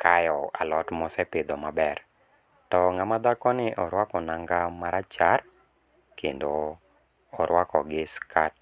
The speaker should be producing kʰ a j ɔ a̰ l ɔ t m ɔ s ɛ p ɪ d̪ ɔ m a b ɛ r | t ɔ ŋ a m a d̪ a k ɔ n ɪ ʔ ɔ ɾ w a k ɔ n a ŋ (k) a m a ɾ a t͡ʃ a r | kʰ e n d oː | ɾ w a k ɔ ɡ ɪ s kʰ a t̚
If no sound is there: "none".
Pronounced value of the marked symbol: ɡ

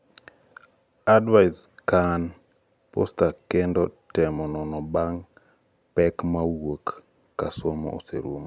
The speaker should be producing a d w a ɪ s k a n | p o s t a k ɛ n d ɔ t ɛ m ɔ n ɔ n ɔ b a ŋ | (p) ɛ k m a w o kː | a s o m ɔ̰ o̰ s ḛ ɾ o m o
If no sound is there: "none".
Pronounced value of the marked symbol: p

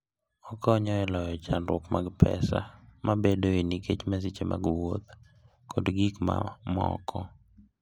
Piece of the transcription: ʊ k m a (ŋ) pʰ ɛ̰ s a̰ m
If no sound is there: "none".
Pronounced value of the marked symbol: ɡ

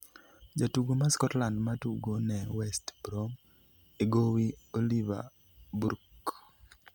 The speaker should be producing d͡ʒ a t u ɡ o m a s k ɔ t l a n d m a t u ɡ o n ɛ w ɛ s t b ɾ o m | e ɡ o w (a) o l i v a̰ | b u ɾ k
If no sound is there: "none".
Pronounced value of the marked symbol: i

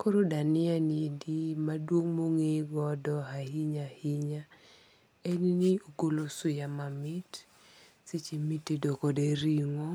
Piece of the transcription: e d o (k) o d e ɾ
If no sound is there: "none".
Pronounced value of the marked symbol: k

